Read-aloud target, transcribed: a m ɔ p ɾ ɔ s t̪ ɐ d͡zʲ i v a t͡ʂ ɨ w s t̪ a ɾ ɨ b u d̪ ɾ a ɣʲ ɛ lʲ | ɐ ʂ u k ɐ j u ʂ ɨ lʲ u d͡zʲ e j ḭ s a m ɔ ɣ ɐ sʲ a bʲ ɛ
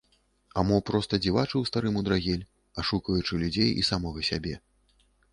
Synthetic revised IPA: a m ɔ p ɾ ɔ s t̪ ɐ d͡zʲ i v a t͡ʂ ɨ w s t̪ a ɾ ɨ m u d̪ ɾ a ɣʲ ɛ lʲ | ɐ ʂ u k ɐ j u t͡ʂ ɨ lʲ u d͡zʲ e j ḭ s a m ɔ ɣ ɐ sʲ a bʲ ɛ